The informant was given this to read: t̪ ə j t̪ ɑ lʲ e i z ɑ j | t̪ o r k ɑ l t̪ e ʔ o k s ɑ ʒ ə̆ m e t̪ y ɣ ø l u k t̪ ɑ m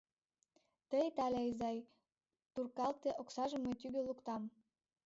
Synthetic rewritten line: t̪ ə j t̪ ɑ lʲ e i z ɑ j | t̪ u r k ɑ l t̪ e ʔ o k s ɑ ʒ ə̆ m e t̪ y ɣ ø l u k t̪ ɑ m